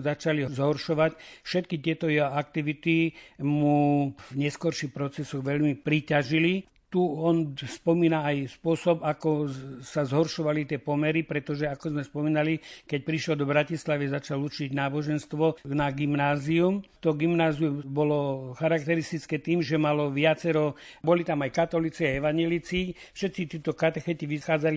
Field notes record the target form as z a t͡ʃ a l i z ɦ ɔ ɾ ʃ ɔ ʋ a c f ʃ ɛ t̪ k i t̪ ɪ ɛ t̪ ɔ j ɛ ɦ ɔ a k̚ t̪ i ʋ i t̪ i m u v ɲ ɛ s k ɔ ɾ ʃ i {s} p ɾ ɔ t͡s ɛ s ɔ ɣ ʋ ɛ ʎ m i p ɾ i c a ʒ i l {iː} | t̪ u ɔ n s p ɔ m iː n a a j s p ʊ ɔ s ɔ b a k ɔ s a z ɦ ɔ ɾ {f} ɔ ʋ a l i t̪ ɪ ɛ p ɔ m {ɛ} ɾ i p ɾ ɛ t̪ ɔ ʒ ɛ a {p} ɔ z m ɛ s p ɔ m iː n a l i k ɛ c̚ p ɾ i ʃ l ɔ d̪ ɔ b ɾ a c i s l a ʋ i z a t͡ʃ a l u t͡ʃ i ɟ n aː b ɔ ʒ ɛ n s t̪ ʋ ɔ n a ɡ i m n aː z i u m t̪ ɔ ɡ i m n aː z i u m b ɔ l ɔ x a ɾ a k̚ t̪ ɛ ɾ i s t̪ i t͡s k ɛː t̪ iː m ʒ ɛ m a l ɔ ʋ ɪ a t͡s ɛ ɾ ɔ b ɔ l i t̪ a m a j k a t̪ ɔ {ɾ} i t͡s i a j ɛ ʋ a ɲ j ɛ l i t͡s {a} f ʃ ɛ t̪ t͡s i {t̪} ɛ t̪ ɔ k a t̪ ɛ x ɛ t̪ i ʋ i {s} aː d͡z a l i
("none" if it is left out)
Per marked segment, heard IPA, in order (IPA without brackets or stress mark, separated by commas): x, i, ʃ, ɛ, k, l, i, t̪, x